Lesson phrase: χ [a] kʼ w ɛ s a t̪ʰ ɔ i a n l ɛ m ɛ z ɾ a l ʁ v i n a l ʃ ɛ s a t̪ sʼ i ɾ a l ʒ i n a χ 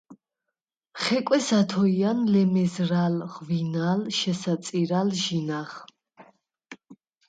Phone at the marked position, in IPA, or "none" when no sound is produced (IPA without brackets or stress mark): ɛ